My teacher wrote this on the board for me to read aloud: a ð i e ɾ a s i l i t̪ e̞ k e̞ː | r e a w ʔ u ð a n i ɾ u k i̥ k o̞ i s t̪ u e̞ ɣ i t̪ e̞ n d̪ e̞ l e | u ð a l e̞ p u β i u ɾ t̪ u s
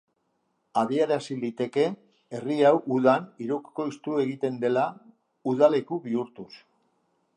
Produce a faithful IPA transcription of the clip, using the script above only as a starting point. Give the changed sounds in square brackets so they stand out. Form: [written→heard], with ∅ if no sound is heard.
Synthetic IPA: a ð i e ɾ a s i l i t̪ e̞ k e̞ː | r [e→i] a w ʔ u ð a n i ɾ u k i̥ k o̞ i s t̪ u e̞ ɣ i t̪ e̞ n d̪ e̞ l [e→a] | u ð a l e̞ [p→k] u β i u ɾ t̪ u s